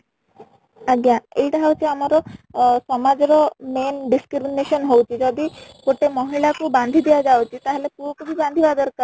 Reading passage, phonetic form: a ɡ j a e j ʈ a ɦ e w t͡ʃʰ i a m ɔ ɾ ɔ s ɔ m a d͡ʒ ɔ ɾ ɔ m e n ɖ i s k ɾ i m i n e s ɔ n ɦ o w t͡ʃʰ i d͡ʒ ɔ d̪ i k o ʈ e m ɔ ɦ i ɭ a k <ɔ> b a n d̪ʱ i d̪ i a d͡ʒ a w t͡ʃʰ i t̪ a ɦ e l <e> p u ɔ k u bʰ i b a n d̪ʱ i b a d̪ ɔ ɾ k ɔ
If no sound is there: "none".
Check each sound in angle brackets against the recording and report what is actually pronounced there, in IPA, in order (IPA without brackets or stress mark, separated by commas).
u, e